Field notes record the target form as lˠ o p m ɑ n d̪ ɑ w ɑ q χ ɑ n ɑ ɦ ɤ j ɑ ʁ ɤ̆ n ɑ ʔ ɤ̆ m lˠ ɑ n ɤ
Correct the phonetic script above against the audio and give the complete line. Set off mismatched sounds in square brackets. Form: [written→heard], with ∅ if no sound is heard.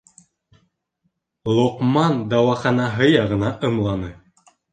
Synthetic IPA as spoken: lˠ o [p→q] m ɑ n d̪ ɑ w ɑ [q→∅] χ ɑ n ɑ ɦ ɤ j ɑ ʁ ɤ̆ n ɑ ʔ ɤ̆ m lˠ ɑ n ɤ